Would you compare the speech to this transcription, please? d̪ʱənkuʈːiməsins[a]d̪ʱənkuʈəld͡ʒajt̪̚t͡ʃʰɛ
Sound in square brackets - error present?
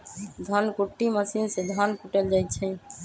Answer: yes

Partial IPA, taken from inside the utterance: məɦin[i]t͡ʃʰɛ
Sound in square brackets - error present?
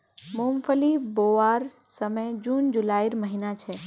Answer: yes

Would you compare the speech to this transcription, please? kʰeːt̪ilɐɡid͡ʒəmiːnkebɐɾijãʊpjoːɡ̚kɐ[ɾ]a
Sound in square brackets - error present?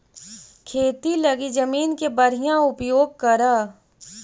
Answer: no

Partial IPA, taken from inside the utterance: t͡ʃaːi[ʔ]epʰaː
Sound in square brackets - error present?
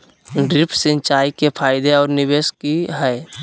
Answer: yes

